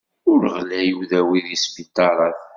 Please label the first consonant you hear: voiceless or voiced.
voiced